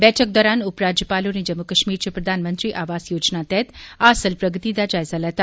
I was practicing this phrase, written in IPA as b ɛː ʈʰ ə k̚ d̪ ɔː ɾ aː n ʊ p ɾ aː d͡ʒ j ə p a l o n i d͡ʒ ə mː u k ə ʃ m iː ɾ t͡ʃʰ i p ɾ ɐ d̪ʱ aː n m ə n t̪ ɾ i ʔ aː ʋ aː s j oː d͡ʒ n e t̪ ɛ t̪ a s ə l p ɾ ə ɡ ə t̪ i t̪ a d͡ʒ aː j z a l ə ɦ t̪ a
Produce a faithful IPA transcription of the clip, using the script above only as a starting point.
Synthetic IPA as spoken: b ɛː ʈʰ ə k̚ d̪ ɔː ɾ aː n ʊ p ɾ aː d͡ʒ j ə p a l o n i d͡ʒ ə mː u k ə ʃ m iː ɾ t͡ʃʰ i p ɾ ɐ d̪ʱ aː n m ə n t̪ ɾ i ʔ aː ʋ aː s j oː d͡ʒ n a t̪ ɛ t̪ a s ə l p ɾ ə ɡ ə t̪ i d̪ a d͡ʒ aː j z a l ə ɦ t̪ a